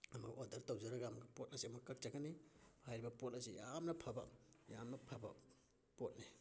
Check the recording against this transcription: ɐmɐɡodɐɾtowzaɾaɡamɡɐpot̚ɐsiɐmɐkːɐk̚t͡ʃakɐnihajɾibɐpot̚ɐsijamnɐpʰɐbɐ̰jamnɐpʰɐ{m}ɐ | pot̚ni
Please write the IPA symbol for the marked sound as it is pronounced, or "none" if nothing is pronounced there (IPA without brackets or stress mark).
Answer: b